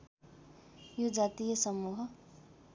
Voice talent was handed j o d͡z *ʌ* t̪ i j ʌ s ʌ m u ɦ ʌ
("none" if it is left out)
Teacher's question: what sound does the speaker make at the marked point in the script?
a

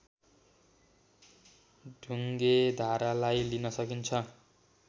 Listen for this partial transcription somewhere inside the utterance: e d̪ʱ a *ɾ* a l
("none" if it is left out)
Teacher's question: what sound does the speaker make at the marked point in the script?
ɾ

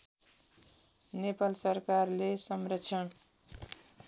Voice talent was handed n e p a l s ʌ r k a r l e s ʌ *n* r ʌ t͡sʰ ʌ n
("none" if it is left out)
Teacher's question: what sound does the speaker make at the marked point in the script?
m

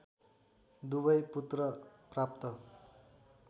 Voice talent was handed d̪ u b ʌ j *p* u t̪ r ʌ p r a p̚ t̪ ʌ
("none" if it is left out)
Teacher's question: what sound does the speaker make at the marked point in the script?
p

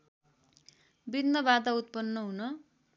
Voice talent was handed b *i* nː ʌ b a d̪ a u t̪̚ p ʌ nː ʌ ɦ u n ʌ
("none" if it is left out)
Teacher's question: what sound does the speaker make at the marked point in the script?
i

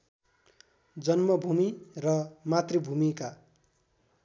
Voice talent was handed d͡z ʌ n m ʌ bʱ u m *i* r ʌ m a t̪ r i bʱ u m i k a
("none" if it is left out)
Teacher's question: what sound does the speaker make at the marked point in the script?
i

